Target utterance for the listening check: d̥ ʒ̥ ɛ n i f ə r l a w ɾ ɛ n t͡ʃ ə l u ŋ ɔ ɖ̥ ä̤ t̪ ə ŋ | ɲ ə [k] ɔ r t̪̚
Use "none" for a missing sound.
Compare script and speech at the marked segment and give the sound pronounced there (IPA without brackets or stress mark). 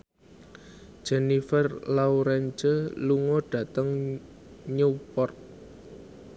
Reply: p